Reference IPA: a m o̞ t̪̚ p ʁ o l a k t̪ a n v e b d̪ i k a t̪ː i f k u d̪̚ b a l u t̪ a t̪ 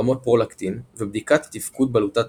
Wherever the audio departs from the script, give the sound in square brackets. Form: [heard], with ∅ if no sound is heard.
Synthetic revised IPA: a m o̞ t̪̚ p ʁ o l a k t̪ [i] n v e b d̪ i k a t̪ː i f k u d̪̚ b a l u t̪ a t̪